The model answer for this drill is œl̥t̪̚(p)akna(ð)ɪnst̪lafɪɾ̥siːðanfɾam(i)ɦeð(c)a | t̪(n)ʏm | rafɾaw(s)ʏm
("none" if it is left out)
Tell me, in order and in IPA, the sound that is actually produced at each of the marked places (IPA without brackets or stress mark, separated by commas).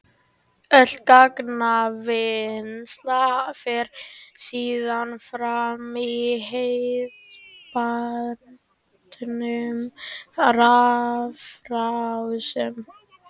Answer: k, v, i, p, n, s